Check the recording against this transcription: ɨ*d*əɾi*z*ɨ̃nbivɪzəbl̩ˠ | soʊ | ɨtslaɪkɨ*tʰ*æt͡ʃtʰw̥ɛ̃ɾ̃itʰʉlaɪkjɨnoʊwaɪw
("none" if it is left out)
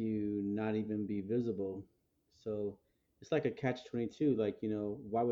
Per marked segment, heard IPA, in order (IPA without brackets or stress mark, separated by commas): n, v, kʰ